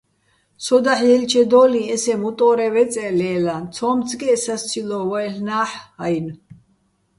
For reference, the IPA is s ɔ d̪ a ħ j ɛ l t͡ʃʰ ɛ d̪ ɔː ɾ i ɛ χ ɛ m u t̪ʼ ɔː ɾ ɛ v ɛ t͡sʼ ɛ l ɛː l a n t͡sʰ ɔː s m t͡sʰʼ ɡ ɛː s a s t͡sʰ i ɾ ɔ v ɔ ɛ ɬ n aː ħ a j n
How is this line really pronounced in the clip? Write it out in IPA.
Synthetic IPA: s ɔ d̪ a ħ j ɛ l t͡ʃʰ ɛ d̪ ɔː l i ɛ s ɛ m u t̪ʼ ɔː ɾ ɛ v ɛ t͡sʼ ɛ l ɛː l a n t͡sʰ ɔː m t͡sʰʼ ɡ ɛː s a s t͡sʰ i l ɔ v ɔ ɛ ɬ n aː ħ a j n